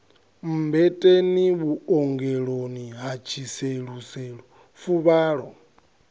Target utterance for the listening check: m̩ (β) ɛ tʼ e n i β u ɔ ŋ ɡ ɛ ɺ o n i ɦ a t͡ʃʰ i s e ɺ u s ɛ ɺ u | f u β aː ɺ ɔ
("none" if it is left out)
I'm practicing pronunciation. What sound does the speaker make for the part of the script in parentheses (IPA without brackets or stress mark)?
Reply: b